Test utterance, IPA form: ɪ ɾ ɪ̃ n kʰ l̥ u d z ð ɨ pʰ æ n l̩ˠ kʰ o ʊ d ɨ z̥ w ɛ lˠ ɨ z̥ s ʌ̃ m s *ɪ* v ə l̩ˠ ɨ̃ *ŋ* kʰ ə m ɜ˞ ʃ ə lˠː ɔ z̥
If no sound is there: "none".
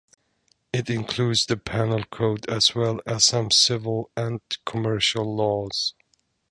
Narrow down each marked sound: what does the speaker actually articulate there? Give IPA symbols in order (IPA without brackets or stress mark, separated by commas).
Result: ɪ, n